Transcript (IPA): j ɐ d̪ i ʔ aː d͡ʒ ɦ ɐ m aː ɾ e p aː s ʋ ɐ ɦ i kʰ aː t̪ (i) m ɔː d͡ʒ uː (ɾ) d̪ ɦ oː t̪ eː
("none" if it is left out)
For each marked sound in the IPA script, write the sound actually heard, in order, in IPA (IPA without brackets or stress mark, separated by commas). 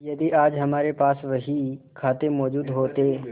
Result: e, none